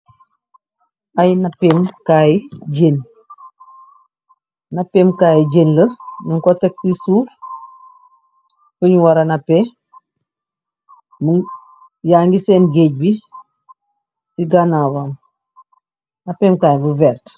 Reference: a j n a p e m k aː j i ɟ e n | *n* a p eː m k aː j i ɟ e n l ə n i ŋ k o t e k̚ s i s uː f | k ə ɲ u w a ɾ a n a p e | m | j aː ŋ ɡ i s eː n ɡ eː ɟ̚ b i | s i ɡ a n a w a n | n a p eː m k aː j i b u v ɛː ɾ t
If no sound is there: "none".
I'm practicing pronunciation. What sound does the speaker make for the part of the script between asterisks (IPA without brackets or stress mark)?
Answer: n